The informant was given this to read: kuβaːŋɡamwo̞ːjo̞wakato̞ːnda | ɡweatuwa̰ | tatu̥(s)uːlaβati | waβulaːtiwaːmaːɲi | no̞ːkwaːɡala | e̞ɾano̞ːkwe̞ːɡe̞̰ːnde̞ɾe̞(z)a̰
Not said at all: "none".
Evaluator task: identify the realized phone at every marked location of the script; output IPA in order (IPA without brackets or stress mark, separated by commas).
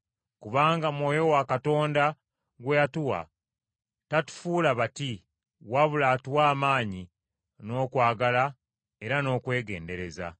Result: f, z